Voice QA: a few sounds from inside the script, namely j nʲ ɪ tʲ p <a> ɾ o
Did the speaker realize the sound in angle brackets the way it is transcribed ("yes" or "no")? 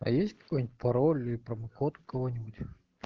no